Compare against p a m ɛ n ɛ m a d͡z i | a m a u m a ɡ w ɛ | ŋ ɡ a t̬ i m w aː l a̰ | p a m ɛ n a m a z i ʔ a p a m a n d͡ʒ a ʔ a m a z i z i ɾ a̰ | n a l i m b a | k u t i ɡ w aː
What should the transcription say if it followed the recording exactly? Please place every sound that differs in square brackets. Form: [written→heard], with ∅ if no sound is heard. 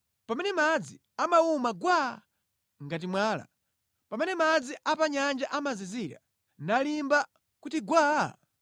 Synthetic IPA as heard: p a m ɛ n ɛ m a d͡z i | a m a u m a ɡ w [ɛ→a] | ŋ ɡ a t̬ i m w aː l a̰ | p a m ɛ n [a→ɛ] m a [z→d͡z] i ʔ a p a [m→ɲ] a n d͡ʒ a ʔ a m a z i z i ɾ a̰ | n a l i m b a | k u t i ɡ w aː